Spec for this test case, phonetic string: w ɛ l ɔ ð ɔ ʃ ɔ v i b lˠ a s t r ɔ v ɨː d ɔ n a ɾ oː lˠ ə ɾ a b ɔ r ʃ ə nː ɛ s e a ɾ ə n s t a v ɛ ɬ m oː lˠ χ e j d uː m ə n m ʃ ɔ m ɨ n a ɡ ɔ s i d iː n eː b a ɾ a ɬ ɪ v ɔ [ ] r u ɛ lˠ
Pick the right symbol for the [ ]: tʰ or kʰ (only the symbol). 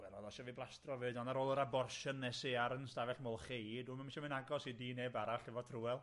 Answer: tʰ